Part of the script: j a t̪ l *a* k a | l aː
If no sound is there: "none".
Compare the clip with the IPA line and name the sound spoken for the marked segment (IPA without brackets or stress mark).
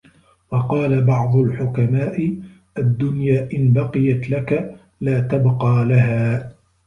a